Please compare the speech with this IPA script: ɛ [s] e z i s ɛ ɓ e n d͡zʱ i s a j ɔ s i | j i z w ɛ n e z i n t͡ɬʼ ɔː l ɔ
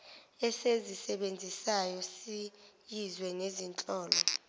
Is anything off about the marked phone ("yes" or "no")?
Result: no